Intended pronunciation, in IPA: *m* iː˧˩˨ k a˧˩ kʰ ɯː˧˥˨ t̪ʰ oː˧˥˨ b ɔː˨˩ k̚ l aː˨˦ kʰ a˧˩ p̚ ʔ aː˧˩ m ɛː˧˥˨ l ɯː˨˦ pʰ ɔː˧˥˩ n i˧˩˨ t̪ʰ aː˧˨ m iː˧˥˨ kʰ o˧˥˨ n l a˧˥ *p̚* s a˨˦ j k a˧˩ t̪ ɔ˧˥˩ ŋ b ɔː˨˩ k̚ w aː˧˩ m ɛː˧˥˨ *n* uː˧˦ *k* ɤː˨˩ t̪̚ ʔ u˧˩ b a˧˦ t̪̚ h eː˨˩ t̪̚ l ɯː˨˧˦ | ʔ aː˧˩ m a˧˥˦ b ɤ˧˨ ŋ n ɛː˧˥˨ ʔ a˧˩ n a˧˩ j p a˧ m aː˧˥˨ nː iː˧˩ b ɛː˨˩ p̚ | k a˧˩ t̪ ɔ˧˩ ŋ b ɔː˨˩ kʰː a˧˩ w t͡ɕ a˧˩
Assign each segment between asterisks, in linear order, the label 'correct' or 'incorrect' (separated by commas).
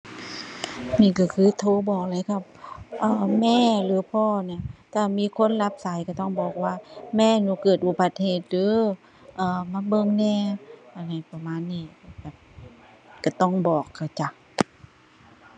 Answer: incorrect, correct, correct, correct